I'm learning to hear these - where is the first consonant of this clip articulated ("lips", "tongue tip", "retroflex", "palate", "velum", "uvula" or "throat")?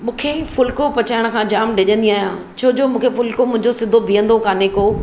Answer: lips